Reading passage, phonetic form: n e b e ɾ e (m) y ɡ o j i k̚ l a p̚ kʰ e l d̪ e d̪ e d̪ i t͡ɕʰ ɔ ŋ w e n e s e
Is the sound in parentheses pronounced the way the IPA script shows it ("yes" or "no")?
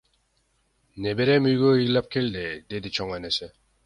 yes